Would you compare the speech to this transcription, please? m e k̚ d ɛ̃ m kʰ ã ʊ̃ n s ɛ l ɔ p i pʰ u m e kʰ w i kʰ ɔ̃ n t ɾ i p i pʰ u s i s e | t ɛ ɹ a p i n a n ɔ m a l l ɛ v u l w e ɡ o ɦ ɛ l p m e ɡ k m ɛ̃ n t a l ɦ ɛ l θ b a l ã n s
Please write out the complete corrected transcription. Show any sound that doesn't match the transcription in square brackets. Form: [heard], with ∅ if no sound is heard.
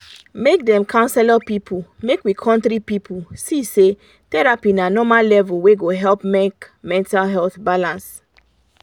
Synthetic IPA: m e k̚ d ɛ̃ m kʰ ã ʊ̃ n s ɛ l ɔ p i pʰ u m e [k] w i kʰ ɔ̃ n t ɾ i p i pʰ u s i s e | t ɛ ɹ a p i n a n ɔ m a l l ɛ v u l w e ɡ o ɦ ɛ l p m e [∅] k m ɛ̃ n t a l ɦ ɛ l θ b a l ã n s

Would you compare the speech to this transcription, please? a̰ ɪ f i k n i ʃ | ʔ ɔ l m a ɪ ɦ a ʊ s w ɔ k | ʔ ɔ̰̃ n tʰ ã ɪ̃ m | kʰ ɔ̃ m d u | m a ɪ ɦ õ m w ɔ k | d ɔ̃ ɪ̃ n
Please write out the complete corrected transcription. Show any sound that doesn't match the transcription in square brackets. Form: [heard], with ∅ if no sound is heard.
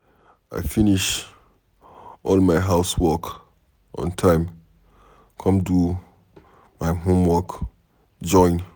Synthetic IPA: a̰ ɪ f i [∅] n i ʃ | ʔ ɔ l m a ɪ ɦ a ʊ s w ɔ k | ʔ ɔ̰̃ n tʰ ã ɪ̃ m | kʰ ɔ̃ m d u | m a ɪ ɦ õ m w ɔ k | [d͡ʒ] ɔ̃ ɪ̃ n

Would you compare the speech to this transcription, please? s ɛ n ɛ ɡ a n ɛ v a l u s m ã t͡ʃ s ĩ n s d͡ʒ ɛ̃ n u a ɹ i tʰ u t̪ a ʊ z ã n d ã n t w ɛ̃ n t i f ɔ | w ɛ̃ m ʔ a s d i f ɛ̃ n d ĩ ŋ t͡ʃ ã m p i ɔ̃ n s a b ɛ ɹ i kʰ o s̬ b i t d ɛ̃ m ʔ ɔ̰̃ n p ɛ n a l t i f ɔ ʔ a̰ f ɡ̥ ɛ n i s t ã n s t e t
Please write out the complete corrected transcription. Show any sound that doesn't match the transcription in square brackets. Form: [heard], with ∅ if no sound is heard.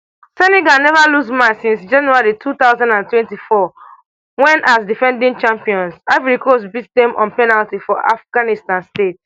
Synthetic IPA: s ɛ n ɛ ɡ a n ɛ v a l u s m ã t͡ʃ s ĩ n s d͡ʒ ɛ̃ n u a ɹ i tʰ u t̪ a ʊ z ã n d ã n t w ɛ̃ n t i f ɔ | w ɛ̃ [n] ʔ a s d i f ɛ̃ n d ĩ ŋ t͡ʃ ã m p i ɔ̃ n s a [v] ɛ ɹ i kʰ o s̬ b i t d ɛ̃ m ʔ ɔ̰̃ n p ɛ n a l t i f ɔ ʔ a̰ f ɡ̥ [a] n i s t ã n s t e t

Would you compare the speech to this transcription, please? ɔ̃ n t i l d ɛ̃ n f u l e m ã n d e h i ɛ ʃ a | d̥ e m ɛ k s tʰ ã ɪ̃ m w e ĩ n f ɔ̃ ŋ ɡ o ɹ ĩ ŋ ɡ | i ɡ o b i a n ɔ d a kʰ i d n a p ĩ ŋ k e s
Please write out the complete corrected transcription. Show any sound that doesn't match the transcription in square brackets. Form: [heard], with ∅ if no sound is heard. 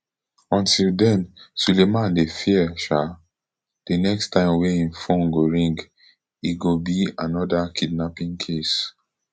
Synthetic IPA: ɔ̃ n t i l d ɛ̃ n [s] u l e m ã n d e [f] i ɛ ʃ a | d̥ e [n] ɛ k s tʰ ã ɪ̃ m w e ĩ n f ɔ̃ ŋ ɡ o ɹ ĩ ŋ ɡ | i ɡ o b i a n ɔ d a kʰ i d n a p ĩ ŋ [kʰ] e s

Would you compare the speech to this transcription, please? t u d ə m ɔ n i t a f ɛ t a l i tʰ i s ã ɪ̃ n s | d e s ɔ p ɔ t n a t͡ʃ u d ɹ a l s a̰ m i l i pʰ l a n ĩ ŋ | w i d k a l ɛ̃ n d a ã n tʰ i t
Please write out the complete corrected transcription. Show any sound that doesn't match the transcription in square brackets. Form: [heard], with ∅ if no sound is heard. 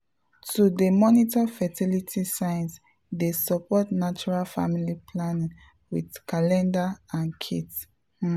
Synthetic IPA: t u d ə m ɔ n i t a f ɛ t [i] l i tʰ i s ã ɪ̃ n s | d e s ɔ p ɔ t n a t͡ʃ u [∅] ɹ a l [f] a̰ m i l i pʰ l a n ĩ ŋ | w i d k a l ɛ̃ n d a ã n [kʰ] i t

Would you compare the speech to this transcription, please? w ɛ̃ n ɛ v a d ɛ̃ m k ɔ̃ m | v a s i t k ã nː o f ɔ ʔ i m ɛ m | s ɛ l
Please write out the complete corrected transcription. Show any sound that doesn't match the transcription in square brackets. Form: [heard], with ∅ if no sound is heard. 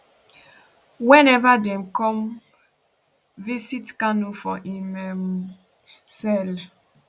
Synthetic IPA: w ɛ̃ n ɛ v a d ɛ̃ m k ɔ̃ m | v [i] s i t k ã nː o f ɔ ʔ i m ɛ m | s ɛ l

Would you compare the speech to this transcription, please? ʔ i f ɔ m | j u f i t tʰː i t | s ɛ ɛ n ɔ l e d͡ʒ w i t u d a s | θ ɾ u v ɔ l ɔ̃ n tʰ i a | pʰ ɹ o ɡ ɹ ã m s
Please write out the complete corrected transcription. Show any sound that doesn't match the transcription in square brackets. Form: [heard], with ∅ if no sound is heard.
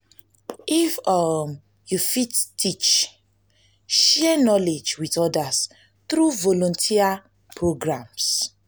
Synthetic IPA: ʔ i f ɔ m | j u f i t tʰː i [t͡ʃ] | [ʃ] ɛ ɛ n ɔ l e d͡ʒ w i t [ɔ] d a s | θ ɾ u v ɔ l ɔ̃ n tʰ i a | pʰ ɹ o ɡ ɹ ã m s

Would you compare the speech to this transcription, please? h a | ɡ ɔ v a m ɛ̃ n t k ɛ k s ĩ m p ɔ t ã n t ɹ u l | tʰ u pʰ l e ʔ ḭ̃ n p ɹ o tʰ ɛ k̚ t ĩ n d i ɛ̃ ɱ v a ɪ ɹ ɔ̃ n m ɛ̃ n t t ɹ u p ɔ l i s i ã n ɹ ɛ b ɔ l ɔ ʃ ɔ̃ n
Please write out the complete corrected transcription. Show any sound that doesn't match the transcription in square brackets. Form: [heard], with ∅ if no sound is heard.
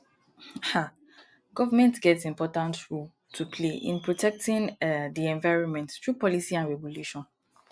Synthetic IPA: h a | ɡ ɔ v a m ɛ̃ n t [ɡ] ɛ [t] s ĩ m p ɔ t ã n t ɹ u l | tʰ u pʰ l e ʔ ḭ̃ n p ɹ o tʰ ɛ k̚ t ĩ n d i ɛ̃ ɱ v a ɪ ɹ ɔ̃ n m ɛ̃ n t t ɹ u p ɔ l i s i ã n ɹ ɛ b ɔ l [u] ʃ ɔ̃ n

